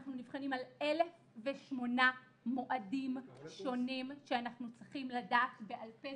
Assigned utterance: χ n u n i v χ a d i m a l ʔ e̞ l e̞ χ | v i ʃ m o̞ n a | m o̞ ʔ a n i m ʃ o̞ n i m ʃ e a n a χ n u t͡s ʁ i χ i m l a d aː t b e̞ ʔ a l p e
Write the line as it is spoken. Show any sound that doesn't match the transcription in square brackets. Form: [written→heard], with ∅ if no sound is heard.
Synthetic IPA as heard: χ n u n i v χ a [d→n] i m a l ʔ e̞ l e̞ [χ→f] | v [i→e] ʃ m o̞ n a | m o̞ ʔ a [n→d] i m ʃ o̞ n i m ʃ e a n a χ n u t͡s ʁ i χ i m l a d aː t b e̞ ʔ a l p e